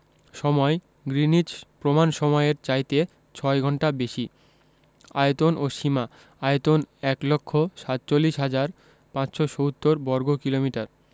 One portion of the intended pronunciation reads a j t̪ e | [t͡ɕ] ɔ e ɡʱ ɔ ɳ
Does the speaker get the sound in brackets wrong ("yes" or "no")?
yes